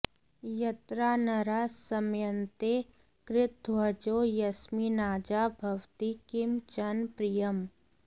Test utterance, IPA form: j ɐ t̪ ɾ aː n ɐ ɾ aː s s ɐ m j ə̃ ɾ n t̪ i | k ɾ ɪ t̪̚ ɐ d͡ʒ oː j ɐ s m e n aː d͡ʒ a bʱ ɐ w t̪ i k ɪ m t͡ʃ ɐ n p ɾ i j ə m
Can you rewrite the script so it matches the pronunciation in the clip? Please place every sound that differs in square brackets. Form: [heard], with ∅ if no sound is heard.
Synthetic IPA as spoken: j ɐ t̪ ɾ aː n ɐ ɾ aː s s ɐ m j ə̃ [∅] n t̪ [e] | k ɾ ɪ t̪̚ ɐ d͡ʒ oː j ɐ s m [i] n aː d͡ʒ a bʱ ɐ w t̪ i k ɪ m t͡ʃ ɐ n p ɾ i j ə m